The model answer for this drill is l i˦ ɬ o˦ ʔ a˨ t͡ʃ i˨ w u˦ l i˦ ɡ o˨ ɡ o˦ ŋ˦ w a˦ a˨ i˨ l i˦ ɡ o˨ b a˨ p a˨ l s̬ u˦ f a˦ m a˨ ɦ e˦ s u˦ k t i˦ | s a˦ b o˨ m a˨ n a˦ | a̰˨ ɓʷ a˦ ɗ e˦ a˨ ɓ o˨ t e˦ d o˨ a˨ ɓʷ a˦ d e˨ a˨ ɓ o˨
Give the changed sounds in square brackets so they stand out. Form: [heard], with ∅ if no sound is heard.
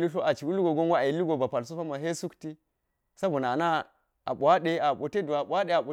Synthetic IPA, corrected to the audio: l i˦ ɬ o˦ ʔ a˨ t͡ʃ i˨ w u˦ l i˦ ɡ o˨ ɡ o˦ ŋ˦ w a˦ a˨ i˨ l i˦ ɡ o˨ b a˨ p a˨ l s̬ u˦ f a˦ m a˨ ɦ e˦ s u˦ k t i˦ | s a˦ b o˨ [n] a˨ n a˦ | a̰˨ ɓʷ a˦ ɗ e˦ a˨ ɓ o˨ t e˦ d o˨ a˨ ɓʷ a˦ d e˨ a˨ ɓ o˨